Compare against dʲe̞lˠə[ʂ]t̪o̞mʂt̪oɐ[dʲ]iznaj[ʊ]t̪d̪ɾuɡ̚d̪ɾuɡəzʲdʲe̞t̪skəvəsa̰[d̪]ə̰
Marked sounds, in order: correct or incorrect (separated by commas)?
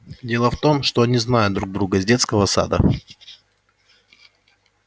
incorrect, incorrect, correct, correct